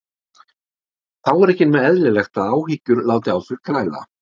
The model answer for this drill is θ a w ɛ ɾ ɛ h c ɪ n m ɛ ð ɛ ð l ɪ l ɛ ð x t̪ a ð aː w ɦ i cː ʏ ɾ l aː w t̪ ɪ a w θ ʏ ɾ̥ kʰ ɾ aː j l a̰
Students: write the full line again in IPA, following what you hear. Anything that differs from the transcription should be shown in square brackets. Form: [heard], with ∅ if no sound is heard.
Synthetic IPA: θ a w ɛ ɾ ɛ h c ɪ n m ɛ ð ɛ ð l ɪ l ɛ [∅] x t̪ a ð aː w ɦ i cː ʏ ɾ l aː w t̪ ɪ a w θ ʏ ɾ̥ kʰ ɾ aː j l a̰